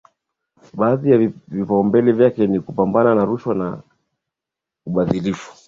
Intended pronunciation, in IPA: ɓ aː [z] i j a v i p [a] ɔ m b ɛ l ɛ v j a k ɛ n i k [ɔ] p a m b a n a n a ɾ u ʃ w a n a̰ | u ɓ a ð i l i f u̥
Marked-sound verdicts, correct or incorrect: incorrect, correct, incorrect

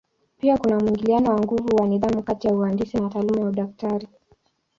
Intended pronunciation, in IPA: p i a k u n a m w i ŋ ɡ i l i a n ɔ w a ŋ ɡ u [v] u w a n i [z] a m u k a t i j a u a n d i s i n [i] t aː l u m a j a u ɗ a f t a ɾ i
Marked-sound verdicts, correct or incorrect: correct, incorrect, incorrect

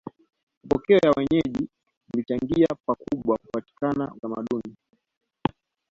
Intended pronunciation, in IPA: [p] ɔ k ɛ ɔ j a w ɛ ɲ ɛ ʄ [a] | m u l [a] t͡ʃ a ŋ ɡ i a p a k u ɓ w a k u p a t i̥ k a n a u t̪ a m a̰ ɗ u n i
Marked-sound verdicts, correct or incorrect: correct, incorrect, incorrect

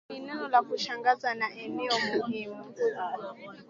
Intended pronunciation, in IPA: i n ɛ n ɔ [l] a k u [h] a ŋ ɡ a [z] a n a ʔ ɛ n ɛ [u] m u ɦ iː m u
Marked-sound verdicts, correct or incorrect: correct, incorrect, correct, incorrect

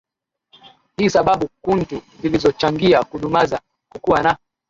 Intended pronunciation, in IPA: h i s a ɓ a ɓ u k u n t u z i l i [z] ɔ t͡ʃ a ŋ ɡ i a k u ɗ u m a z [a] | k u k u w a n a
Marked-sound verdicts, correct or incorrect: correct, correct

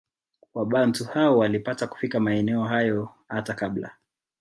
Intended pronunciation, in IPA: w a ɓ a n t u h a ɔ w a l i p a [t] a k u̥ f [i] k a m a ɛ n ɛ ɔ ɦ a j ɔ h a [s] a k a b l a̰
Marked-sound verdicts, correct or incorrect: correct, correct, incorrect

